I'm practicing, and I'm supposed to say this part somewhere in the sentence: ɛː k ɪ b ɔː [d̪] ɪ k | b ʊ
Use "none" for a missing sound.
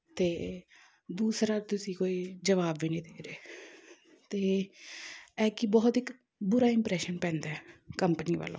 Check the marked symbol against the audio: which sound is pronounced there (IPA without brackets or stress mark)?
t̪